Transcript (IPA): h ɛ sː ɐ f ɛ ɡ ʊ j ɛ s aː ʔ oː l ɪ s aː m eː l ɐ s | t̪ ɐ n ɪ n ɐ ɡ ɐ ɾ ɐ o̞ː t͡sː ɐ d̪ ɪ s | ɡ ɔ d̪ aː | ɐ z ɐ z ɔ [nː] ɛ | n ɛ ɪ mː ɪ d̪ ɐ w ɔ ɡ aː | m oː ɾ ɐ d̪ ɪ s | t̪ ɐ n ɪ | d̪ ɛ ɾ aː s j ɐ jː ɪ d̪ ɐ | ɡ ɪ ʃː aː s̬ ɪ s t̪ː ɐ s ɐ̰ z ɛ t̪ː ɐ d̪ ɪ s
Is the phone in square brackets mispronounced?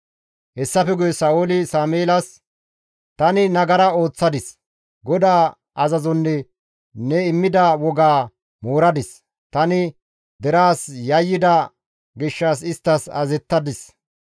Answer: no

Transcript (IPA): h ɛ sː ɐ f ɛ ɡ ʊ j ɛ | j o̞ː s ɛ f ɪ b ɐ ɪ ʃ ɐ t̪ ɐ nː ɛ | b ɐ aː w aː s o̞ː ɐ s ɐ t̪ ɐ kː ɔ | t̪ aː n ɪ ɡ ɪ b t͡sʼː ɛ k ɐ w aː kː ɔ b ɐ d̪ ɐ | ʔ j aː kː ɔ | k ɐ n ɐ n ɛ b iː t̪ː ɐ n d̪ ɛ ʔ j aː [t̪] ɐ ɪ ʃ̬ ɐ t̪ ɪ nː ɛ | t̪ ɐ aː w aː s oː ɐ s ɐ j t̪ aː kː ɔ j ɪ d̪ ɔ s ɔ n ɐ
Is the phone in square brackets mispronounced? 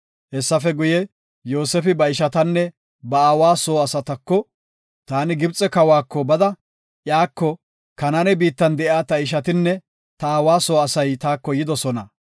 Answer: no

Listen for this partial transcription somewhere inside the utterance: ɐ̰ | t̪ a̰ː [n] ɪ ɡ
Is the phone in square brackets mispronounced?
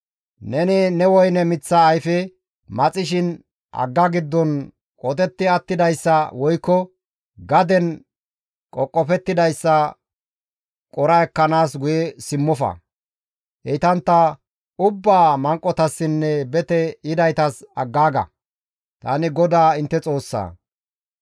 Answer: no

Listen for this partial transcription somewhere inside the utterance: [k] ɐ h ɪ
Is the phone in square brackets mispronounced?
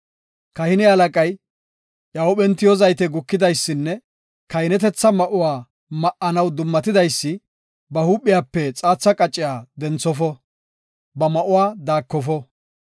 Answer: no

